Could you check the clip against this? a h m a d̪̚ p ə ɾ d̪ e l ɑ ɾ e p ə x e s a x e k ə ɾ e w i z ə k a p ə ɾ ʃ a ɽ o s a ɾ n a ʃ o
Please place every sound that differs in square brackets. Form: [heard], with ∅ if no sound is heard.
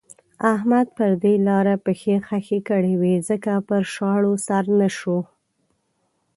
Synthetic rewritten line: a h m a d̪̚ p ə ɾ d̪ e l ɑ ɾ [a] p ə x e [x] a x e k ə [ɽ] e w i z ə k a p ə ɾ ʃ [ɑ] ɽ o s a ɾ n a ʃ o